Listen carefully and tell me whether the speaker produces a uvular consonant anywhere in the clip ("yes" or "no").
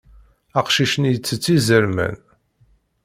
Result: yes